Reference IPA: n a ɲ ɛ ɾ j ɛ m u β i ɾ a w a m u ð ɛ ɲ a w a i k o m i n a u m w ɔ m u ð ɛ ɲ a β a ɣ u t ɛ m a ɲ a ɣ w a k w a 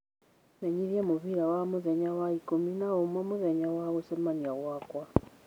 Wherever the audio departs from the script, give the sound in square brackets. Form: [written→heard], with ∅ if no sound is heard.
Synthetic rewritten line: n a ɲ [ɛ→i] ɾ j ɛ m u β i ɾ a w a m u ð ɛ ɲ a w a i k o m i n a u m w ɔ m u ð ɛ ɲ a [β→w] a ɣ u [t→s] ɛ m a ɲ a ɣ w a k w a